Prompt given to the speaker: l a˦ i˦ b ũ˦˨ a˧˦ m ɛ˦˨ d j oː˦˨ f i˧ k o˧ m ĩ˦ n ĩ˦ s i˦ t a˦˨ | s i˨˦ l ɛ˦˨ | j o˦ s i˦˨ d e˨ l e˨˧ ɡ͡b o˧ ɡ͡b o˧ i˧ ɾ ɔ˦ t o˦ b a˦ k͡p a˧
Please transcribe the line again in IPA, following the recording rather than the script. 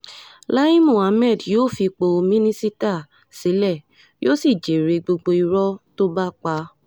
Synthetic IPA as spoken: l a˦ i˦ m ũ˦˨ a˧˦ m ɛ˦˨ d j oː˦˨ f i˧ k͡p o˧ m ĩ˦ n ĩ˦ s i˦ t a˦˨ | s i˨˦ l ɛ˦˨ | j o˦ s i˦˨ d͡ʒ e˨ ɾ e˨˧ ɡ͡b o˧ ɡ͡b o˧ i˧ ɾ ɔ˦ t o˦ b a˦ k͡p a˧

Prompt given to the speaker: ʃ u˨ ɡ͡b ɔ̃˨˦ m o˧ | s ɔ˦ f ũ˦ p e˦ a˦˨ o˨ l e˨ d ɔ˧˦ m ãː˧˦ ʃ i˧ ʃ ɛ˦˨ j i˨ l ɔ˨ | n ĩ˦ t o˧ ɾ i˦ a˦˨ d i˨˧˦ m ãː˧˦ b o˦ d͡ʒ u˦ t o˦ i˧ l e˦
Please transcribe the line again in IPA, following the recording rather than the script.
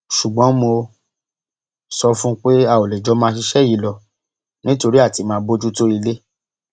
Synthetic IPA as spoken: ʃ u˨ ɡ͡b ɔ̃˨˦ m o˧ | s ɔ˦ f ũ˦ k͡p e˦ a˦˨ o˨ l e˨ d͡ʒ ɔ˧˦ m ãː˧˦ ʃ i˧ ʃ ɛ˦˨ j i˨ l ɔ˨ | n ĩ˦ t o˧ ɾ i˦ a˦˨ t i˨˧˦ m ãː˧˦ b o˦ d͡ʒ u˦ t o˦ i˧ l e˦

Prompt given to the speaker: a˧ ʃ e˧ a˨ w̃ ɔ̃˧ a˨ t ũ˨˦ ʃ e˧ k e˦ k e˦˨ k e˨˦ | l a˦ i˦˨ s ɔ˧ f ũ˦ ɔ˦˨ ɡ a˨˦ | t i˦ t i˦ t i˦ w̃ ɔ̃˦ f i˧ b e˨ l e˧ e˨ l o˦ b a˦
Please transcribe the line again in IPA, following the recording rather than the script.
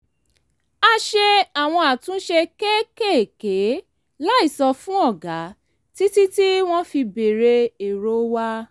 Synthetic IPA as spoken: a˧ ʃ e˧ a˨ w̃ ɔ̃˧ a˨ t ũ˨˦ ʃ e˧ k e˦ k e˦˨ k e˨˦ | l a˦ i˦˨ s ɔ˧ f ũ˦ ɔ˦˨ ɡ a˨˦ | t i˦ t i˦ t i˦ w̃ ɔ̃˦ f i˧ b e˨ ɾ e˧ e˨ ɾ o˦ w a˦

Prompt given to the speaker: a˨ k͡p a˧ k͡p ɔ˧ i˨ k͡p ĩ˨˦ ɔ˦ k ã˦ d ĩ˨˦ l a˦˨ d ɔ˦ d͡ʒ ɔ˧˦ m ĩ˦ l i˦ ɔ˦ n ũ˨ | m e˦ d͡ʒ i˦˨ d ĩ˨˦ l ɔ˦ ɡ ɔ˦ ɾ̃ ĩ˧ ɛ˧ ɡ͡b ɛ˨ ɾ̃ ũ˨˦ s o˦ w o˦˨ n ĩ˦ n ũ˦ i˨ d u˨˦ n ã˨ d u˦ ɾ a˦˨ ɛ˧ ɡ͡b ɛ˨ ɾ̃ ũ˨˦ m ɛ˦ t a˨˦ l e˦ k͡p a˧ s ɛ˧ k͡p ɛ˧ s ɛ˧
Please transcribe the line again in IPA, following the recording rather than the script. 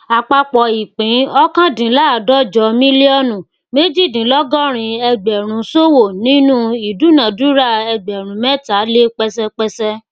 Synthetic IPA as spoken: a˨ k͡p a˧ k͡p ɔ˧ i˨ k͡p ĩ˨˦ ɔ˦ k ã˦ d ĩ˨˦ l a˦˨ d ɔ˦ d͡ʒ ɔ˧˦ m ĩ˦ l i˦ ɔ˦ n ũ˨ | m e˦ d͡ʒ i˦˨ d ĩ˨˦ l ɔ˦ ɡ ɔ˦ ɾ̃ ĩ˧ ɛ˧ ɡ͡b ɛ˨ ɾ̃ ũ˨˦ s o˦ w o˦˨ n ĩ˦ n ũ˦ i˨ d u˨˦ n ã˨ d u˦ ɾ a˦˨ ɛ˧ ɡ͡b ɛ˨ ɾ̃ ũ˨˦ m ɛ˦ t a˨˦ l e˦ k͡p ɛ˧ s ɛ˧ k͡p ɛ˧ s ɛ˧

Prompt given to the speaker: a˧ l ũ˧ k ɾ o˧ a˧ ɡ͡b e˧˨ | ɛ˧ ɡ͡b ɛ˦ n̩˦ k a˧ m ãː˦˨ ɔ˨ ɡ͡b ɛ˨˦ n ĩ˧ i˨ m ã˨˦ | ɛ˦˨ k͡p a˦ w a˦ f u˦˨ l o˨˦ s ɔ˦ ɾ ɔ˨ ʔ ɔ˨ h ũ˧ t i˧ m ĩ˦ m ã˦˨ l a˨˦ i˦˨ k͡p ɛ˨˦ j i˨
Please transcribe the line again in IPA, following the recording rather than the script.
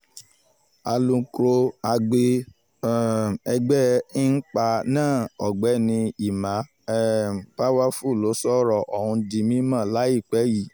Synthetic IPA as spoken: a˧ l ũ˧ k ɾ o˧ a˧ ɡ͡b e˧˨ | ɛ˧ ɡ͡b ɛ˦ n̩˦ k͡p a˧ n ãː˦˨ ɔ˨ ɡ͡b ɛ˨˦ n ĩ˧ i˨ m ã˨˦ | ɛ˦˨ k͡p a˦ w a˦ f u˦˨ l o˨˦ s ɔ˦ ɾ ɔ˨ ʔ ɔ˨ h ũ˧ d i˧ m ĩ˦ m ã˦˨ l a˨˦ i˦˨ k͡p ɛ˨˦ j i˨

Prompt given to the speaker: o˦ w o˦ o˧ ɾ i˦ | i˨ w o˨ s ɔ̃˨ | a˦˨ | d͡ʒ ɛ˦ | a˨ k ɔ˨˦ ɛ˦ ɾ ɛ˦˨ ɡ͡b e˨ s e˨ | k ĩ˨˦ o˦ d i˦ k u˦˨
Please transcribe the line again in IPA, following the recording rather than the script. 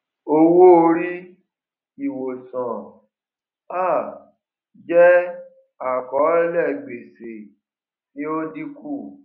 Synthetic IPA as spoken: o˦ w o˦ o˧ ɾ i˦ | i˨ w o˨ s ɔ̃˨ | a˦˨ | d͡ʒ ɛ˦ | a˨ k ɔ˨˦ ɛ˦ l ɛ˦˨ ɡ͡b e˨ s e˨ | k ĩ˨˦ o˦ d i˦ k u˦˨

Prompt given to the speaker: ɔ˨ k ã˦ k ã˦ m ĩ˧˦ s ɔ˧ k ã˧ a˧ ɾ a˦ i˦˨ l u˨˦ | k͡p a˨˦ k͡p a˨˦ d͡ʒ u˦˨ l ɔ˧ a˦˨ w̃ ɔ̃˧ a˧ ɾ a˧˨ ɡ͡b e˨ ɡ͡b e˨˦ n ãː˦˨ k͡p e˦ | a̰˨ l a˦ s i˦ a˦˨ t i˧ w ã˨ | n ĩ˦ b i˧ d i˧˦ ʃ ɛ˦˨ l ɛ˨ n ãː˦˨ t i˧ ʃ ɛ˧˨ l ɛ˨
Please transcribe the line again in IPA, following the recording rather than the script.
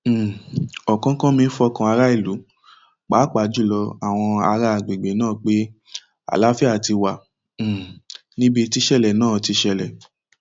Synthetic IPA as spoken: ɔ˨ k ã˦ k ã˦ m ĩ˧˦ f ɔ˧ k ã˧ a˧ ɾ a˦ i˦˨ l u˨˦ | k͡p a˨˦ k͡p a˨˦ d͡ʒ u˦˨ l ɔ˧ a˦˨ w̃ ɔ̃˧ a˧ ɾ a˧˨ ɡ͡b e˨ ɡ͡b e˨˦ n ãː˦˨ k͡p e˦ | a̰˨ l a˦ f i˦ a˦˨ t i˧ w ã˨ | n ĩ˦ b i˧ t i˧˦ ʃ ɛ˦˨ l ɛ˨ n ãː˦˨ t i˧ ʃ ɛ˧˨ l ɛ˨

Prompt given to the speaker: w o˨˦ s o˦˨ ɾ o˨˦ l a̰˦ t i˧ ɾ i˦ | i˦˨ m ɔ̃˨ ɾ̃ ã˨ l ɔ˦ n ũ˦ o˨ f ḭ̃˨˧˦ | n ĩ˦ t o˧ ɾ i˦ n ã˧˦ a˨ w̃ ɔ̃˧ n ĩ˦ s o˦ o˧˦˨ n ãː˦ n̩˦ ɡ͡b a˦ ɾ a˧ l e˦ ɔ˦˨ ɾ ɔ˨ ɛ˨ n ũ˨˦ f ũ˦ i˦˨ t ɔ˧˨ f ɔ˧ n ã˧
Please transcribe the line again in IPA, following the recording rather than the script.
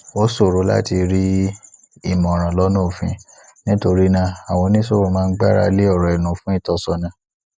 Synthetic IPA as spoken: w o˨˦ s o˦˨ ɾ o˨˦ l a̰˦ t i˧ ɾ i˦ | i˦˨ m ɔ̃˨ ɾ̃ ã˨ l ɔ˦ n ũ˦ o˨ f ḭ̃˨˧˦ | n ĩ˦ t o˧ ɾ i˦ n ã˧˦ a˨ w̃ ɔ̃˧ n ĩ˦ s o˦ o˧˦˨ m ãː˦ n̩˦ ɡ͡b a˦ ɾ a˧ l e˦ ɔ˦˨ ɾ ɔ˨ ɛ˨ n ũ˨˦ f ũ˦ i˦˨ t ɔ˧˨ s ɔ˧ n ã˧

